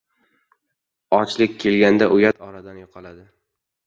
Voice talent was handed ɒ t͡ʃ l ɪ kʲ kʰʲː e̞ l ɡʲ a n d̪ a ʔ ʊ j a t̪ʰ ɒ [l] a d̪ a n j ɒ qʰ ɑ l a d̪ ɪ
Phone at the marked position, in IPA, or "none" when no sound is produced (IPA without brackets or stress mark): ɾ